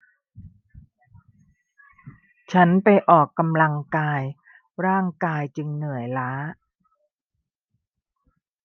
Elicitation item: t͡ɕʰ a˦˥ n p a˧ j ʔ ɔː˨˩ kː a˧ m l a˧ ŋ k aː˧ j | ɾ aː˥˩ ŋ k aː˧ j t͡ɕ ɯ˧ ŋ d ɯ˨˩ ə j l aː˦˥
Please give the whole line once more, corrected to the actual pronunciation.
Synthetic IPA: t͡ɕʰ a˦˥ n p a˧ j ʔ ɔː˨˩ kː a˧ m l a˧ ŋ k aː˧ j | ɾ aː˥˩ ŋ k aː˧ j t͡ɕ ɯ˧ ŋ n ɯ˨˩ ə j l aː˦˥